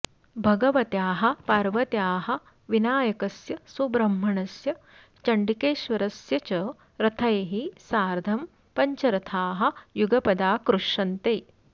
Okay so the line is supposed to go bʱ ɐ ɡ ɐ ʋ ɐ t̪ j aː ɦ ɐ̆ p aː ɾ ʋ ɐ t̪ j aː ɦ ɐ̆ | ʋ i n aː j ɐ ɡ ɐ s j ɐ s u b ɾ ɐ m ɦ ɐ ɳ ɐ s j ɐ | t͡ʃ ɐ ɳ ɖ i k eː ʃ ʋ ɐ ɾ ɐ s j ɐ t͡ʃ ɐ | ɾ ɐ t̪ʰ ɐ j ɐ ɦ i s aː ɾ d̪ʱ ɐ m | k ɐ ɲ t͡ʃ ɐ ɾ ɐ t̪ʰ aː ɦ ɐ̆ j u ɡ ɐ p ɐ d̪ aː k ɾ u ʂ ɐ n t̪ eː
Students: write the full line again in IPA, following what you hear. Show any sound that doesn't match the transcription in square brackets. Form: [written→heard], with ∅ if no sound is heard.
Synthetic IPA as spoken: bʱ ɐ ɡ ɐ ʋ ɐ t̪ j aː ɦ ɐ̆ p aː ɾ ʋ ɐ t̪ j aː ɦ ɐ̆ | ʋ i n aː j ɐ [ɡ→k] ɐ s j ɐ s u b ɾ ɐ m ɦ ɐ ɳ ɐ s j ɐ | t͡ʃ ɐ ɳ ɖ i k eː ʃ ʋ ɐ ɾ ɐ s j ɐ t͡ʃ ɐ | ɾ ɐ t̪ʰ ɐ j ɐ ɦ i s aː ɾ d̪ʱ ɐ m | [k→p] ɐ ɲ t͡ʃ ɐ ɾ ɐ t̪ʰ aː ɦ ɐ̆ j u ɡ ɐ p ɐ d̪ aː k ɾ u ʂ ɐ n t̪ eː